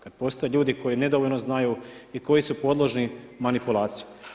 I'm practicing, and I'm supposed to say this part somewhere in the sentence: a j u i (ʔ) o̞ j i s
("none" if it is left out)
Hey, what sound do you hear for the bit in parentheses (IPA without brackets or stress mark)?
k